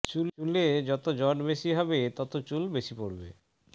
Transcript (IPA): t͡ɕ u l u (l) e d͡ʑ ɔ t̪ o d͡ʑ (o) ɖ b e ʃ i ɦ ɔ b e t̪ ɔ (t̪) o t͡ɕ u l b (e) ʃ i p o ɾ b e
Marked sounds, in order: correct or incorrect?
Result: correct, incorrect: ɔ, correct, correct

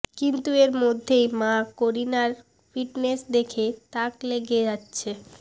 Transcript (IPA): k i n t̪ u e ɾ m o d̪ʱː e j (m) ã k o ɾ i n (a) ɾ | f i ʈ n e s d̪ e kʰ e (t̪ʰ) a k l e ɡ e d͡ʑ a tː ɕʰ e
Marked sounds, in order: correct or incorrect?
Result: correct, correct, incorrect: t̪

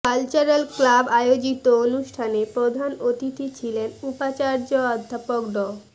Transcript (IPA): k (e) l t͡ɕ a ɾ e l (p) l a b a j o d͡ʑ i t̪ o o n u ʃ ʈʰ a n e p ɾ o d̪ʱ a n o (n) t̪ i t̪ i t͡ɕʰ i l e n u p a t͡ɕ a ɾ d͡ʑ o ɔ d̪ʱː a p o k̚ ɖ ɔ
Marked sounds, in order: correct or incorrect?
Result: incorrect: a, incorrect: k, incorrect: none

